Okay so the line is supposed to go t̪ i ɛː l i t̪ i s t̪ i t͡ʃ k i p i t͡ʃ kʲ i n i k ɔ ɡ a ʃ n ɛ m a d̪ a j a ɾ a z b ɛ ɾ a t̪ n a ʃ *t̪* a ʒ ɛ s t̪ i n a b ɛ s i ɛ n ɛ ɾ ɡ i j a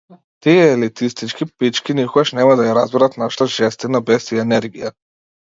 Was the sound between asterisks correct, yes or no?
yes